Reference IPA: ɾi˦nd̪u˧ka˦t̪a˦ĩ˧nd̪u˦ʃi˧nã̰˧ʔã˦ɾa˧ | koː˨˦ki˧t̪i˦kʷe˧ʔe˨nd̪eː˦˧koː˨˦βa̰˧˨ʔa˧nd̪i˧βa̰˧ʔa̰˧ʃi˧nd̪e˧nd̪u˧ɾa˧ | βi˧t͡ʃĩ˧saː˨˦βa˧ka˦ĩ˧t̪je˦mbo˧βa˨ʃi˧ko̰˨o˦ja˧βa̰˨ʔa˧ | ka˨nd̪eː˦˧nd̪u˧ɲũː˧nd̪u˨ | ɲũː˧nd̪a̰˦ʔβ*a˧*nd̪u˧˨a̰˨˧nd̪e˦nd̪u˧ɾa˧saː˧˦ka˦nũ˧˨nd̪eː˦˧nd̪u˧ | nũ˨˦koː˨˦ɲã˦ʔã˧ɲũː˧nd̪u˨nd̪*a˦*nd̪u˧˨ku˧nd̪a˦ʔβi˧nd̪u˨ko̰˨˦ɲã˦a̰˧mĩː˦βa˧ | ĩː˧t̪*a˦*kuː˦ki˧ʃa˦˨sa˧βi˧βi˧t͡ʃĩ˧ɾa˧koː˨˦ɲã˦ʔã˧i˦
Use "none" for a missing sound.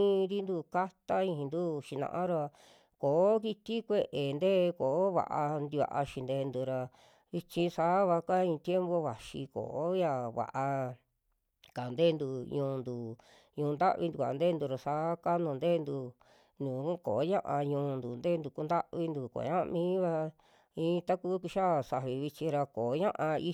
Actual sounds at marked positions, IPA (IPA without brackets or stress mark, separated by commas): i˧, e˦, a˦